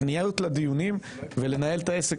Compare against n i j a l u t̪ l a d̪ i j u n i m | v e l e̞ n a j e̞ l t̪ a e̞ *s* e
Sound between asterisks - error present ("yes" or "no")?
no